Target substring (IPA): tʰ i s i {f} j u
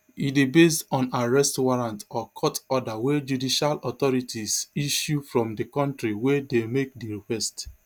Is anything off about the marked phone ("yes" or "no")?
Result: yes